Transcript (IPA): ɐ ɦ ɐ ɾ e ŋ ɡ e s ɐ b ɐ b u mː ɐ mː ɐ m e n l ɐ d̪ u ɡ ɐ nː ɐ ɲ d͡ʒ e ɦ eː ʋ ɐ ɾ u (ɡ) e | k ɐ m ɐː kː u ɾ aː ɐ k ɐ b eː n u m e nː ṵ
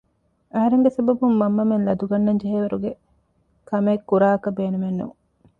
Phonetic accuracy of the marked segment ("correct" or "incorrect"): correct